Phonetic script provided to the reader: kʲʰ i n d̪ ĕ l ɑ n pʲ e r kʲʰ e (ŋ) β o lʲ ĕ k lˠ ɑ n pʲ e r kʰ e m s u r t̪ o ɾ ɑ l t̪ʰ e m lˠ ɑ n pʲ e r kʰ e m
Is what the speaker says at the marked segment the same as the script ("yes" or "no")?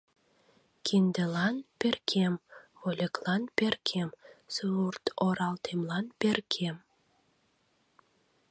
no